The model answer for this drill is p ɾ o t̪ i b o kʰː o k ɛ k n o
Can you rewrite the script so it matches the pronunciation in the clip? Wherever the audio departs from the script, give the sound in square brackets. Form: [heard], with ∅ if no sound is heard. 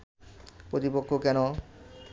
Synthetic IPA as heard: p ɾ o t̪ i [p] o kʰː o k ɛ [∅] n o